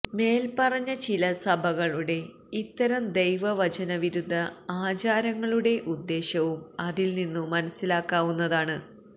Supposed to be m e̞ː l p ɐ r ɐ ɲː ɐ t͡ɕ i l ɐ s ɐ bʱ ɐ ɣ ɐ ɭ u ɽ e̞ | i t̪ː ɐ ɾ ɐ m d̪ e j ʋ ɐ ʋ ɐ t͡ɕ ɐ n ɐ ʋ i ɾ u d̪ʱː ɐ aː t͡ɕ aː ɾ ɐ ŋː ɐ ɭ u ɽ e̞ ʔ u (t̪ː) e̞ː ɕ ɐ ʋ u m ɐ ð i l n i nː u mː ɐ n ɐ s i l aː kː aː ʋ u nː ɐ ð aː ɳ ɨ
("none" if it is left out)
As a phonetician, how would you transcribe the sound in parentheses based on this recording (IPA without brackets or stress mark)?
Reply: d̪ː